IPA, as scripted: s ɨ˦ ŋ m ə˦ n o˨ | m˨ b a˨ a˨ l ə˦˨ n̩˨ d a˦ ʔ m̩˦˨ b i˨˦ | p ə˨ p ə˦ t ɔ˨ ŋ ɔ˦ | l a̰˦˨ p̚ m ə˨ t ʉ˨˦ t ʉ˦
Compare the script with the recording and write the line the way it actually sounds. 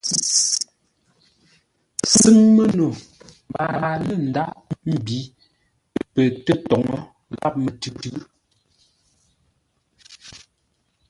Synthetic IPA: s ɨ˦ ŋ m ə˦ n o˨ | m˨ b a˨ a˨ l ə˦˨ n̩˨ d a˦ ʔ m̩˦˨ b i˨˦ | p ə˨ t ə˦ t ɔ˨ ŋ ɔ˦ | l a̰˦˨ p̚ m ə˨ t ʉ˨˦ t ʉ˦